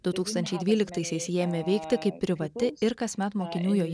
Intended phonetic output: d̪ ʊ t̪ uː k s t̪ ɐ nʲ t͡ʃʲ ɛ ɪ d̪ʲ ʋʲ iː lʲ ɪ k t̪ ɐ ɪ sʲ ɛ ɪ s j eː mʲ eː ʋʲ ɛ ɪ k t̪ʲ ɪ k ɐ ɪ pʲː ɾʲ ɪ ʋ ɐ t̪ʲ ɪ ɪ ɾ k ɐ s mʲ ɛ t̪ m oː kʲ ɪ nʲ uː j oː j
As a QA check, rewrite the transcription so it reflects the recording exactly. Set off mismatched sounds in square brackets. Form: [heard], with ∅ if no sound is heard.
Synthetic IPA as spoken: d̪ ʊ t̪ uː k s t̪ ɐ nʲ t͡ʃʲ ɛ ɪ d̪ʲ ʋʲ iː lʲ ɪ k t̪ ɐ ɪ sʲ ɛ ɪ s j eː mʲ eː ʋʲ ɛ ɪ k t̪ʲ ɪ k ɐ ɪ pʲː ɾʲ ɪ ʋ ɐ t̪ʲ ɪ ɪ ɾ k ɐ s mʲ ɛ t̪ m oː kʲ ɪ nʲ uː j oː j